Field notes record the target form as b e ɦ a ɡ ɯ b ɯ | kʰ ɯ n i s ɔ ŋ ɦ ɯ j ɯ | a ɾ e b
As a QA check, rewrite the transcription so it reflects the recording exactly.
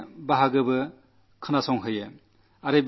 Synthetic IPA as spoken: b a ɦ a ɡ ɯ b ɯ | kʰ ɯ n a s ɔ ŋ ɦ ɯ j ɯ | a ɾ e b